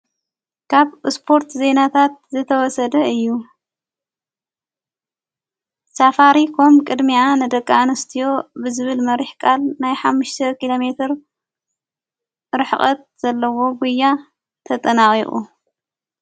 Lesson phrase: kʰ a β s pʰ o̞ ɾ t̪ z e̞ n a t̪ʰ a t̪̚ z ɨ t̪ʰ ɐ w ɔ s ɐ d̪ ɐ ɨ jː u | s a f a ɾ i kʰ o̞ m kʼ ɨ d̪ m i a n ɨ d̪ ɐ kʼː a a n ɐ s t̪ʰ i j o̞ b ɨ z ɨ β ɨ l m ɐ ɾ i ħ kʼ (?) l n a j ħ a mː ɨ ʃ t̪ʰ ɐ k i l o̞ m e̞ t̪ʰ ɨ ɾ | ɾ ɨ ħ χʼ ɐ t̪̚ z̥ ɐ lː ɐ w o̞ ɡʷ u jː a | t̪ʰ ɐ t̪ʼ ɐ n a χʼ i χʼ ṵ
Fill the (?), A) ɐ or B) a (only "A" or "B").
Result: B